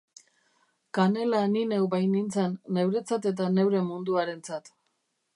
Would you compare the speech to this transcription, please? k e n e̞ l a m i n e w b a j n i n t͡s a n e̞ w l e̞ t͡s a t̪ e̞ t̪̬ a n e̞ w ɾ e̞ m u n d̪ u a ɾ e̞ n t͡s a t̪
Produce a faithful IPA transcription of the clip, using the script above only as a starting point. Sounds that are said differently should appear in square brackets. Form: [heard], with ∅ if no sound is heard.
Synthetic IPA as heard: k [a] n e̞ l a [n] i n e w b a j n i n t͡s a [nː] e̞ w [ɾ] e̞ t͡s a t̪ e̞ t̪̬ a n e̞ w ɾ e̞ m u n d̪ u a ɾ e̞ n t͡s a t̪